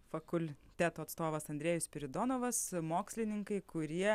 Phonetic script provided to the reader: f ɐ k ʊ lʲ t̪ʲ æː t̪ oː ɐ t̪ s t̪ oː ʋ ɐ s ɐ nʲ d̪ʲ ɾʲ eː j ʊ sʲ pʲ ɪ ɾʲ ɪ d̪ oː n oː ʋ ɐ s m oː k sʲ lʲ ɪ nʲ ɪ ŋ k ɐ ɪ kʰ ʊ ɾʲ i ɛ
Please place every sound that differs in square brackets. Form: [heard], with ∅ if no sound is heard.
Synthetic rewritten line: f ɐ k ʊ lʲ t̪ʲ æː t̪ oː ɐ t̪ s t̪ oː ʋ ɐ s ɐ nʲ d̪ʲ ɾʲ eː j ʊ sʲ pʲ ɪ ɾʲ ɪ d̪ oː n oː ʋ ɐ s m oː k sʲ lʲ ɪ nʲ ɪ ŋ k ɐ ɪ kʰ ʊ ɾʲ i ɛ